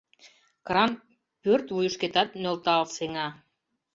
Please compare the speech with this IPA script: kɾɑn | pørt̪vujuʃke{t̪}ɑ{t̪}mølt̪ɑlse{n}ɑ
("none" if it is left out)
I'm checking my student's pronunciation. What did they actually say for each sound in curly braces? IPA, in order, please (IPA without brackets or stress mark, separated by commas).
t̪, t̪, ŋ